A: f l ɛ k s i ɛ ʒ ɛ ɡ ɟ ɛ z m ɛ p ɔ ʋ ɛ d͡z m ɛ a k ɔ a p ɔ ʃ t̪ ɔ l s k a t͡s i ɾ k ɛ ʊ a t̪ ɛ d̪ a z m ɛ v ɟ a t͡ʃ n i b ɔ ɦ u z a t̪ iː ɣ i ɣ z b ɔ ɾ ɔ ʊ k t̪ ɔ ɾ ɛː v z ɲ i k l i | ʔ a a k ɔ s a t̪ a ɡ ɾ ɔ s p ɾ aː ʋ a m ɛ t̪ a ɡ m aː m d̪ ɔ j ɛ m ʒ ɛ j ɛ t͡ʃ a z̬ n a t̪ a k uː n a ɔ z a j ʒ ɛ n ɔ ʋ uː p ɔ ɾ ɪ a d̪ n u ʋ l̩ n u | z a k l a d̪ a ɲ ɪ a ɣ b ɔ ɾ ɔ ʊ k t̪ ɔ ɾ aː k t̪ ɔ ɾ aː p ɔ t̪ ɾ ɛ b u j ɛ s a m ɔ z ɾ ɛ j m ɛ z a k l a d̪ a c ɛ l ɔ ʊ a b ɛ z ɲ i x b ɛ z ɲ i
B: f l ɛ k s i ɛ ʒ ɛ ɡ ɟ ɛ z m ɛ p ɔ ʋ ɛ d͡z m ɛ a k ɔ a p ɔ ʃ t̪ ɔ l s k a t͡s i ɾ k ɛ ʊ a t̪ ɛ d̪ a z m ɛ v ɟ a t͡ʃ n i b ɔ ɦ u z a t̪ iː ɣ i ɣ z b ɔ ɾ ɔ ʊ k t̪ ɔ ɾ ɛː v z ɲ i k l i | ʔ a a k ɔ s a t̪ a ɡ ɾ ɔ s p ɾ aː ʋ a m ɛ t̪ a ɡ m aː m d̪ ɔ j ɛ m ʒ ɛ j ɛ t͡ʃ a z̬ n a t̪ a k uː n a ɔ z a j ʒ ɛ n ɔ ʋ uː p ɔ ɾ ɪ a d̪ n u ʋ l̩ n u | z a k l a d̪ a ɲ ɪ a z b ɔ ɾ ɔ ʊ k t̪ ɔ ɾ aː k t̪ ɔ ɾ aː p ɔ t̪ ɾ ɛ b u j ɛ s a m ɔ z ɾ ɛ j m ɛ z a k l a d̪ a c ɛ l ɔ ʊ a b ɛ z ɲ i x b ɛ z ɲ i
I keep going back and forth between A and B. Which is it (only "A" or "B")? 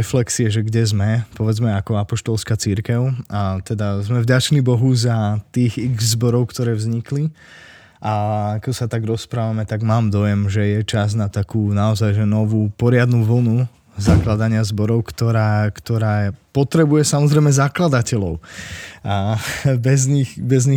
B